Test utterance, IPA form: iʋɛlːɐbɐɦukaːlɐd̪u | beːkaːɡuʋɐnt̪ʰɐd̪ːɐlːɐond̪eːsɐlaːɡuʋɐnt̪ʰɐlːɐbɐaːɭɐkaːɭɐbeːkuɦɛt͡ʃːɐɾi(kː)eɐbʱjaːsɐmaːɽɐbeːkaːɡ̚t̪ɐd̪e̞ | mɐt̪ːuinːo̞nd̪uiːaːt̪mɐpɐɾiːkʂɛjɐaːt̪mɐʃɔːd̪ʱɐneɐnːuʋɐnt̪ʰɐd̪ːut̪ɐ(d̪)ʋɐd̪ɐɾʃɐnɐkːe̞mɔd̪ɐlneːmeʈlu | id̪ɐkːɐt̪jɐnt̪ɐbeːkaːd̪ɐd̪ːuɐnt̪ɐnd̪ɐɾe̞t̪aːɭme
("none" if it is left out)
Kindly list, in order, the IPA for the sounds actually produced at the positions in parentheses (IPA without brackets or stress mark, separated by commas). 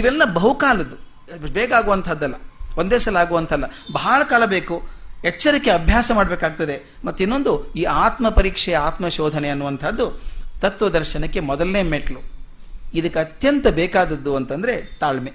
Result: kː, t̪